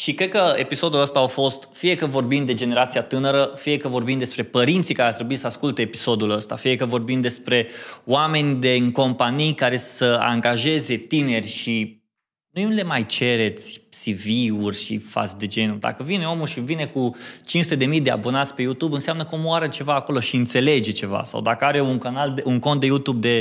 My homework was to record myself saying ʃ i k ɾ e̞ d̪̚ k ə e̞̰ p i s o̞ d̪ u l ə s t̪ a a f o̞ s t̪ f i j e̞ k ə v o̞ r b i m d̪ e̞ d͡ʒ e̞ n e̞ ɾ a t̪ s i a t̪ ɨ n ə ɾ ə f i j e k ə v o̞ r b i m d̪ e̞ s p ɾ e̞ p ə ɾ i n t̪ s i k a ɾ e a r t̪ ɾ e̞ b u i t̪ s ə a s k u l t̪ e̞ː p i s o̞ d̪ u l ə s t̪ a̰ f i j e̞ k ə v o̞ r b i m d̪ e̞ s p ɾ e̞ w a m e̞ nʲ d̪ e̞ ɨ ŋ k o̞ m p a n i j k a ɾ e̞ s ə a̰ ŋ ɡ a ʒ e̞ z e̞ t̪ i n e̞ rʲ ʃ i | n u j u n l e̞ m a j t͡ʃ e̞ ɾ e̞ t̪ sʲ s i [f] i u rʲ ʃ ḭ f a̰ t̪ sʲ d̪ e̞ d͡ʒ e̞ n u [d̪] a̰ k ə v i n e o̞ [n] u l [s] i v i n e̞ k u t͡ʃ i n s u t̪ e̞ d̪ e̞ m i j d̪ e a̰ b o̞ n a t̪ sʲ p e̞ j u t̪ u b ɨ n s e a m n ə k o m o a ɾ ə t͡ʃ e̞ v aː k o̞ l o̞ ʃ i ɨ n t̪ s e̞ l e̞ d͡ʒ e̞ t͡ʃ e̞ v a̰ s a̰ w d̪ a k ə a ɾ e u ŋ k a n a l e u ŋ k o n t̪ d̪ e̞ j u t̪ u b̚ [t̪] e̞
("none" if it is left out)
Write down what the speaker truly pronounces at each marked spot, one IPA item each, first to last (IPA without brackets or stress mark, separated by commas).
v, d̪, m, ʃ, d̪